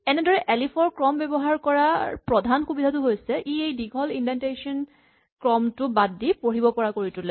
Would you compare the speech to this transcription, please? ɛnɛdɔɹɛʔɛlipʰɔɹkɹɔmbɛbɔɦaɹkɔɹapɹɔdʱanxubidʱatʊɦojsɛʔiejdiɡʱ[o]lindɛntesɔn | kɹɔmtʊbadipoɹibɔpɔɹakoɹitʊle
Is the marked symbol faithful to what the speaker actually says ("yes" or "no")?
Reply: no